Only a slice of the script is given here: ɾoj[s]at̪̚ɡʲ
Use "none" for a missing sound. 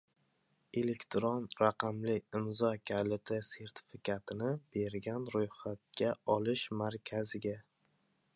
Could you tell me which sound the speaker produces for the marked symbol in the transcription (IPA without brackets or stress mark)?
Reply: χ